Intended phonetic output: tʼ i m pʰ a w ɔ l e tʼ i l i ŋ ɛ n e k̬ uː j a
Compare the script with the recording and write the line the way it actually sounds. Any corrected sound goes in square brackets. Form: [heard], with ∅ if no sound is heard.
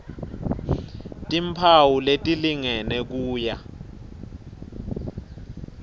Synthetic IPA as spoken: tʼ i m pʰ a w [u] l e tʼ i l i ŋ ɛ n [ɛ] k̬ uː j a